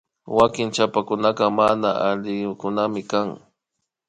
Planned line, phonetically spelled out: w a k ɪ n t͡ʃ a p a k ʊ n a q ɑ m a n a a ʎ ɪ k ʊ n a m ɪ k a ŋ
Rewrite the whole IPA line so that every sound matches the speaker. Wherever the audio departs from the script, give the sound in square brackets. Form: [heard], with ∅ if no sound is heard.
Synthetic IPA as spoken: w a k ɪ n t͡ʃ a p a k ʊ n a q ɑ m a n a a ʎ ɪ k ʊ n a m ɪ k a ŋ